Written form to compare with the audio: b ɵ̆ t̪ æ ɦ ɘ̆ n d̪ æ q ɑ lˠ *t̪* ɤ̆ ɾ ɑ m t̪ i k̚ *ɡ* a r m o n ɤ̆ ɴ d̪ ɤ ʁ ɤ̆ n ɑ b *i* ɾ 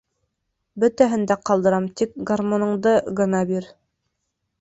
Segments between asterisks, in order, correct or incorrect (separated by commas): incorrect, correct, correct